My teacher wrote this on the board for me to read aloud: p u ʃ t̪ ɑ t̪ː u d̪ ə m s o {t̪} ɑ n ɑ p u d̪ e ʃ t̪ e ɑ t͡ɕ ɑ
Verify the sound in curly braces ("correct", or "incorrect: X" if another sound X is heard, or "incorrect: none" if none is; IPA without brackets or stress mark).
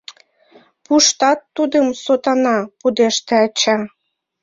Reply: correct